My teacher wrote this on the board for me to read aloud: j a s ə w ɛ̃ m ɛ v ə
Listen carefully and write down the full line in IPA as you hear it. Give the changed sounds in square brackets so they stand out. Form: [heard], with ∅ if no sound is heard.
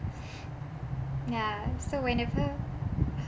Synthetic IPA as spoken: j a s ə w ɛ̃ [n] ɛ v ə